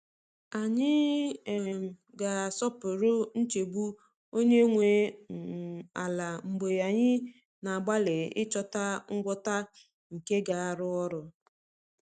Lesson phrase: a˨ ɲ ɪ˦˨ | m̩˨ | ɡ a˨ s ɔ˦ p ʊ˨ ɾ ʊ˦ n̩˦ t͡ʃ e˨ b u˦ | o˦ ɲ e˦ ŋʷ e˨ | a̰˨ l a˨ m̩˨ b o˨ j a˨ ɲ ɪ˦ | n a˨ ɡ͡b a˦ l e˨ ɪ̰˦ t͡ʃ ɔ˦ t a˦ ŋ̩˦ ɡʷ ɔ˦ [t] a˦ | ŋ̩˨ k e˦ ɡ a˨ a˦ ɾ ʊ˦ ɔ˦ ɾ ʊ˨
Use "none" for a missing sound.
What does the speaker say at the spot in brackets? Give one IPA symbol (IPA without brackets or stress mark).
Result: t